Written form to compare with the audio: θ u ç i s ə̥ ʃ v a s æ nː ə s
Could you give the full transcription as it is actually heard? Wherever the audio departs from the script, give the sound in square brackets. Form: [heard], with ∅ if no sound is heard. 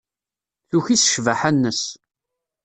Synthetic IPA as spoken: θ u ç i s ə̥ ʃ v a [ħ] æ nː ə s